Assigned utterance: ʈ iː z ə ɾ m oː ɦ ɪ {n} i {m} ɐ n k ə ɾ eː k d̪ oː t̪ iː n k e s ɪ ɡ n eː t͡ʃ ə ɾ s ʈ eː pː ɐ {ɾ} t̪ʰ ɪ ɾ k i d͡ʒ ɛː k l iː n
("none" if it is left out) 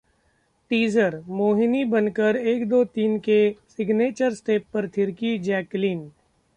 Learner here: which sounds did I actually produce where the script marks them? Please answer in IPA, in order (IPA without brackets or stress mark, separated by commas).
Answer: n, b, ɾ